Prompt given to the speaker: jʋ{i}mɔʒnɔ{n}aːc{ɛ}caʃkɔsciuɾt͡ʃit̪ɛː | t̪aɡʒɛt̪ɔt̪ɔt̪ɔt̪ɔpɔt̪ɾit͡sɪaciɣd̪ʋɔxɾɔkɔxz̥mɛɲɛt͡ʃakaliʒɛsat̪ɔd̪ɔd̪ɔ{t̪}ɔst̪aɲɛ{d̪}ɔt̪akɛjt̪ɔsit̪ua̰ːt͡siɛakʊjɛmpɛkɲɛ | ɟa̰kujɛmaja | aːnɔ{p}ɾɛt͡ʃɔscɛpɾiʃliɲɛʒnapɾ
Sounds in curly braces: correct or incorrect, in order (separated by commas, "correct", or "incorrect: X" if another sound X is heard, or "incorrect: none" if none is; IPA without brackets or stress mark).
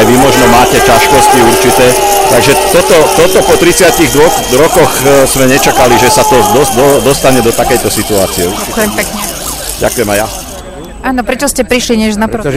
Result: correct, incorrect: m, correct, incorrect: d̪, correct, correct